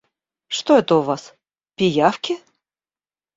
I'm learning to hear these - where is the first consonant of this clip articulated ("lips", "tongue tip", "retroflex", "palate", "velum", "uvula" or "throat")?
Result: retroflex